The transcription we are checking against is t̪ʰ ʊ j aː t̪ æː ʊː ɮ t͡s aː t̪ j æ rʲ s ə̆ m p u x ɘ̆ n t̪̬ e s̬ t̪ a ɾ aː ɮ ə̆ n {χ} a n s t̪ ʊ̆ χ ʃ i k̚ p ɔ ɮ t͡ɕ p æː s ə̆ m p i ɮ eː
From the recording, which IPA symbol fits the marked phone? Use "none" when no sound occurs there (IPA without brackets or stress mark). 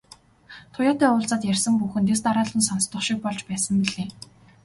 s